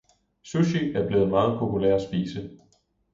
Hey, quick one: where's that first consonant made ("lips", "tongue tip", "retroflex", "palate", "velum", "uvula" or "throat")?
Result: tongue tip